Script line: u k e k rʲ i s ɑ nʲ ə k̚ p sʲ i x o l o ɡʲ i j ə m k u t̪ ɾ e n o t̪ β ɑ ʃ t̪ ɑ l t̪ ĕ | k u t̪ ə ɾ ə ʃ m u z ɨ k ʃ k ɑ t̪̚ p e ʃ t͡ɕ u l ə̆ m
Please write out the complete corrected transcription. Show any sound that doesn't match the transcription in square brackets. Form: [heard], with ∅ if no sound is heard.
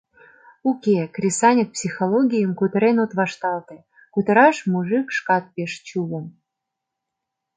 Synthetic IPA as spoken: u k e k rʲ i s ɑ nʲ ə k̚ p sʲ i x o l o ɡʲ i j ə m k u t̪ ɾ e n o t̪ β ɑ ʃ t̪ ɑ l t̪ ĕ | k u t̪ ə ɾ [ɑ] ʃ m u [ʒ] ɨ k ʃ k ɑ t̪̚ p e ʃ t͡ɕ u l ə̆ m